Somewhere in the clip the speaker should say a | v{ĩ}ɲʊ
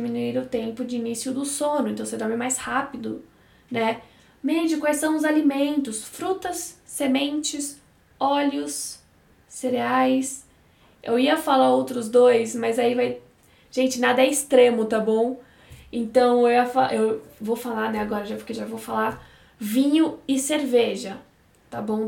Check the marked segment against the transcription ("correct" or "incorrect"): correct